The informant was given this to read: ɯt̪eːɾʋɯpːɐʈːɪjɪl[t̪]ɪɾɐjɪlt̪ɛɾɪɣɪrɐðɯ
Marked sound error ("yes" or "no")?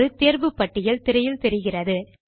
no